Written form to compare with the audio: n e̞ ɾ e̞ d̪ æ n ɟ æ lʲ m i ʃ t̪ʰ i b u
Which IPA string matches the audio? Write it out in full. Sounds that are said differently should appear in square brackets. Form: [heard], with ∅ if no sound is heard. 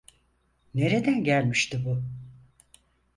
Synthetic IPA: n e̞ ɾ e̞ d̪ æ n ɟ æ lʲ m i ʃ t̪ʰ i b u